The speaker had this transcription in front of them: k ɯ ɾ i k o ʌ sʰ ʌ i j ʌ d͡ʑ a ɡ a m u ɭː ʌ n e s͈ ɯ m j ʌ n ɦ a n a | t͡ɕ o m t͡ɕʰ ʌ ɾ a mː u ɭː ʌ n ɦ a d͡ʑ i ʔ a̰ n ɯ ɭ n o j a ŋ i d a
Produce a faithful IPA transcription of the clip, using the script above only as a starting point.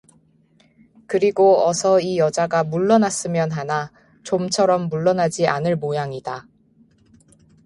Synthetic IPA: k ɯ ɾ i ɡ o ʌ sʰ ʌ i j ʌ d͡ʑ a ɡ a m u ɭː ʌ n a s͈ ɯ m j ʌ n ɦ a n a | t͡ɕ o m t͡ɕʰ ʌ ɾ ʌ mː u ɭː ʌ n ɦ a d͡ʑ i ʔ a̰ n ɯ ɭ m o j a ŋ i d a

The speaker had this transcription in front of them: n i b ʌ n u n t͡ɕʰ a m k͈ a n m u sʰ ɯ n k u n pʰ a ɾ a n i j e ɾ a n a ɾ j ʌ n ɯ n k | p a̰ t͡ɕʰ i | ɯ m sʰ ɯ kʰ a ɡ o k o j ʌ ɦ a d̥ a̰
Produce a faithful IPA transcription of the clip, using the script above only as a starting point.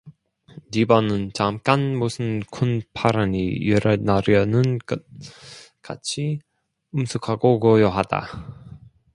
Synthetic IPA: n i b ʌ n ɯ n t͡ɕ a m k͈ a n m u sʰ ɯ n kʰ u n pʰ a ɾ a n i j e ɾ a n a ɾ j ʌ n ɯ n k | k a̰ t͡ɕʰ i | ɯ m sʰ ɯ kʰ a ɡ o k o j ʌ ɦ a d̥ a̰

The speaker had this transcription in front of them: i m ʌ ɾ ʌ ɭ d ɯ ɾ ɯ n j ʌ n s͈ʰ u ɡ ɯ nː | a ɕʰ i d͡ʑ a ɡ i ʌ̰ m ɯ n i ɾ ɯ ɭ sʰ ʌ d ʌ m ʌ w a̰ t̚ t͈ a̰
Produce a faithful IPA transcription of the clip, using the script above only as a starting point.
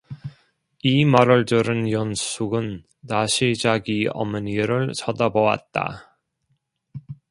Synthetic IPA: i m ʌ ɾ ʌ ɭ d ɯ ɾ ɯ n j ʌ n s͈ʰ u ɡ ɯ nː | a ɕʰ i d͡ʑ a ɡ i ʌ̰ m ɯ n i ɾ ɯ ɭ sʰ ʌ d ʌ b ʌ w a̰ t̚ t͈ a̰

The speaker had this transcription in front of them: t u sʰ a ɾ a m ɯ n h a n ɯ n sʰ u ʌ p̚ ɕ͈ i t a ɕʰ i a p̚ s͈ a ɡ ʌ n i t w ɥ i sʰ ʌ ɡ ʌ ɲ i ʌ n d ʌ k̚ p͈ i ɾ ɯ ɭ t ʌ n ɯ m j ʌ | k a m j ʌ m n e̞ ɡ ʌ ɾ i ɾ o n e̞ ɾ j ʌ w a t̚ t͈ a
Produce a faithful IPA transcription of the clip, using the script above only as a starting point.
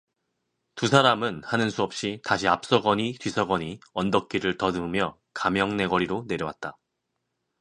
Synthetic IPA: t u sʰ a ɾ a m ɯ n h a n ɯ n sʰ u ʌ p̚ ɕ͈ i t a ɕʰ i a p̚ s͈ ʌ ɡ ʌ ɲ i t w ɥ i sʰ ʌ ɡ ʌ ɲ i ʌ n d ʌ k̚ k͈ i ɾ ɯ ɭ t ʌ n ɯ m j ʌ | k a m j ʌ ŋ n e̞ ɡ ʌ ɾ i ɾ o n e̞ ɾ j ʌ w a t̚ t͈ a

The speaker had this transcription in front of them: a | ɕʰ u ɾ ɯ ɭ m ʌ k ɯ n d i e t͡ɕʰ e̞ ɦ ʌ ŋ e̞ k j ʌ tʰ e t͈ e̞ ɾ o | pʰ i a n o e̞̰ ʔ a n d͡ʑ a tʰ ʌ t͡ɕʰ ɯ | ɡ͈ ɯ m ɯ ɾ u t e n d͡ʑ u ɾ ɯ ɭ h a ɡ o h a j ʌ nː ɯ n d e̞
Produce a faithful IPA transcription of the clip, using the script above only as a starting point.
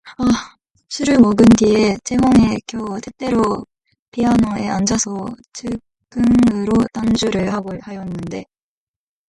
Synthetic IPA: a | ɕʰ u ɾ ɯ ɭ m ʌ ɡ ɯ n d i e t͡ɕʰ e̞ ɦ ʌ ŋ e̞ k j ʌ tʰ e t͈ e̞ ɾ o | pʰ i a n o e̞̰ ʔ a n d͡ʑ a sʰ ʌ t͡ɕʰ ɯ | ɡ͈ ɯ ŋ ɯ ɾ o t a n d͡ʑ u ɾ ɯ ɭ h a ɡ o h a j ʌ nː ɯ n d e̞

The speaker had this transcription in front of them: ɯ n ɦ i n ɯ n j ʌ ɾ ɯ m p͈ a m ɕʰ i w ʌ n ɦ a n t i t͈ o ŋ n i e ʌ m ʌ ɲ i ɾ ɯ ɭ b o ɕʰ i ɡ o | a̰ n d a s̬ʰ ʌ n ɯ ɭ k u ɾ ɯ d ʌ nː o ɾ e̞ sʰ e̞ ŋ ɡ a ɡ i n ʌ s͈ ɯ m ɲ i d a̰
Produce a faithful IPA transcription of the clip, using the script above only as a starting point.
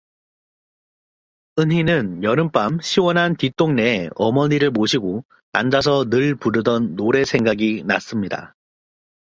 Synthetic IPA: ɯ n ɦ i n ɯ n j ʌ ɾ ɯ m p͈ a m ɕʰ i w ʌ n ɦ a n t i t͈ o ŋ n e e ʌ m ʌ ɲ i ɾ ɯ ɭ m o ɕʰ i ɡ o | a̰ n d͡ʑ a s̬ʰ ʌ n ɯ ɭ p u ɾ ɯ d ʌ nː o ɾ e̞ sʰ e̞ ŋ ɡ a ɡ i n a s͈ ɯ m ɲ i d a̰

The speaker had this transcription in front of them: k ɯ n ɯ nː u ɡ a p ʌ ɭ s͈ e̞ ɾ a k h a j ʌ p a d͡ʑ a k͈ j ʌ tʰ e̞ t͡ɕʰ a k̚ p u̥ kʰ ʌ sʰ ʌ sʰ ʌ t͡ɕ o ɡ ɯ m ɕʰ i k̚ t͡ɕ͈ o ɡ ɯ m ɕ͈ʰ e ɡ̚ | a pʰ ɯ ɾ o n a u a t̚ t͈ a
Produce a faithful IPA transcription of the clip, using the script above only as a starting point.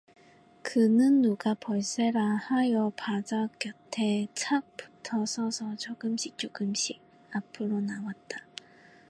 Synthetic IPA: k ɯ n ɯ nː u ɡ a p ʌ ɭ s͈ e̞ ɾ a h a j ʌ p a d͡ʑ a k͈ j ʌ tʰ e̞ t͡ɕʰ a k̚ p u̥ tʰ ʌ sʰ ʌ sʰ ʌ t͡ɕ o ɡ ɯ m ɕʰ i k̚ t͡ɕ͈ o ɡ ɯ m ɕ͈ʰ i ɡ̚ | a pʰ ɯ ɾ o n a w a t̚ t͈ a

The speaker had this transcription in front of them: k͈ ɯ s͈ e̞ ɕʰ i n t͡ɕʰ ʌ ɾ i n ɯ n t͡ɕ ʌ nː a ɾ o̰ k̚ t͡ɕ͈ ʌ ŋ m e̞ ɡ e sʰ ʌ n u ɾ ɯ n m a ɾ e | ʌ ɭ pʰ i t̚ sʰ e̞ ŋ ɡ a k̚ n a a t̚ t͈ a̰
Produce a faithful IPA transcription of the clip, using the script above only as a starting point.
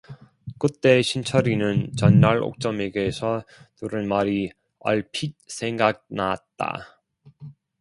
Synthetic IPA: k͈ ɯ t͈ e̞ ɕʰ i n t͡ɕʰ ʌ ɾ i n ɯ n t͡ɕ ʌ nː a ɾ o̰ k̚ t͡ɕ͈ ʌ m e̞ ɡ e sʰ ʌ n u ɾ ɯ n m a ɾ i | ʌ ɭ pʰ i t̚ sʰ e̞ ŋ ɡ a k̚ n a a t̚ t͈ a̰

